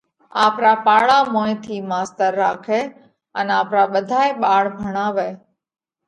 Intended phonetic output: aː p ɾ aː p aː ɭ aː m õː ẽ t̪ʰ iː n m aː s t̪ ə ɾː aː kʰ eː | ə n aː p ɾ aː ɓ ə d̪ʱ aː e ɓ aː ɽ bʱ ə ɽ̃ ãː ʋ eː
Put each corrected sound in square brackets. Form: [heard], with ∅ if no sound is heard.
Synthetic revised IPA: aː p ɾ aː p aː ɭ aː m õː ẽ t̪ʰ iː [∅] m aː s t̪ ə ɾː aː kʰ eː | ə n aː p ɾ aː ɓ ə d̪ʱ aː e ɓ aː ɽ bʱ ə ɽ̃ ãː ʋ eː